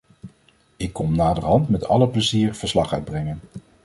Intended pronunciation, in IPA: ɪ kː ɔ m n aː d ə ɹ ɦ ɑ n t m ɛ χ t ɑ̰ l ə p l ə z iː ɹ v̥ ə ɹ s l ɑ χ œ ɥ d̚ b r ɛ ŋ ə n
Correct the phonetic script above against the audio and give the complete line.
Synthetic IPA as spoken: ɪ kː ɔ m n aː d ə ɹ ɦ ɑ n t m ɛ t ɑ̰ l ə p l ə z iː ɹ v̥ ə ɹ s l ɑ χ œ ɥ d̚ b r ɛ ŋ ə n